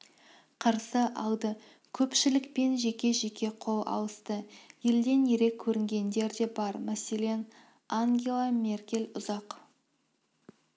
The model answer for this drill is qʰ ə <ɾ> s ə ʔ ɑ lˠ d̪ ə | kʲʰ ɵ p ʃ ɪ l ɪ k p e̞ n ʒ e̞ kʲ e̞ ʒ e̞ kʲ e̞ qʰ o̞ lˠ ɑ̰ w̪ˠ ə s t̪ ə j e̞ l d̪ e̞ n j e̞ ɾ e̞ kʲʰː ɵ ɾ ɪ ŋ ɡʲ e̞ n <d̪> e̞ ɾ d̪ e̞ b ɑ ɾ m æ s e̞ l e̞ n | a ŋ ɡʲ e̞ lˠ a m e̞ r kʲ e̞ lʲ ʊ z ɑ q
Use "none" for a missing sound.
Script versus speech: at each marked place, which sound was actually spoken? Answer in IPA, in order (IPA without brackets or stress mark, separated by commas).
ɾ, d̪